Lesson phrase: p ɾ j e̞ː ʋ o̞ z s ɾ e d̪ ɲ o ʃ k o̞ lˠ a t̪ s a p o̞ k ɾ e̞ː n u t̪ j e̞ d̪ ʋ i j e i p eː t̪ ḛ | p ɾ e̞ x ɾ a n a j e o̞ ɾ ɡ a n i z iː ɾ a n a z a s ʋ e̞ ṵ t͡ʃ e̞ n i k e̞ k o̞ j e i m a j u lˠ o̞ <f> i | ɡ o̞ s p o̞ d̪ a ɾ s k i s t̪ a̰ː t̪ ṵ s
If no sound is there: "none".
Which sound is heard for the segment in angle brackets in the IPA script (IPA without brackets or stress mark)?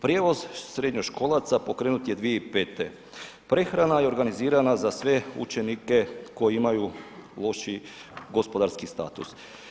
ʃ